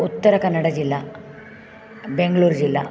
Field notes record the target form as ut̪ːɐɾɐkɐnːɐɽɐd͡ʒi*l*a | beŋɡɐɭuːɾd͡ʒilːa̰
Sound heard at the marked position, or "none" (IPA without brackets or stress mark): lː